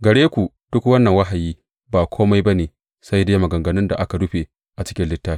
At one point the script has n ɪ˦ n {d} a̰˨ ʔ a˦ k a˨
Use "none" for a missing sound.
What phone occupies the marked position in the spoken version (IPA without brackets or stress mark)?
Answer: d